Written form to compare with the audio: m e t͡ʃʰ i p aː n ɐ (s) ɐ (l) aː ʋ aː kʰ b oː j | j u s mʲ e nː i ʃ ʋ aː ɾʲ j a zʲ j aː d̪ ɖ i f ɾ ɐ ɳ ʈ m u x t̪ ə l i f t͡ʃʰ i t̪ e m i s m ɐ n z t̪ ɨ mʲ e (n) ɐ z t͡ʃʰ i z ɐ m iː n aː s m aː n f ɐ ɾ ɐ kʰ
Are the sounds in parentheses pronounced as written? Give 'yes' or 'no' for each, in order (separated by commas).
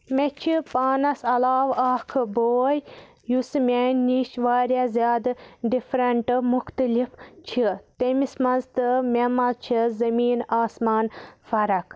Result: yes, yes, no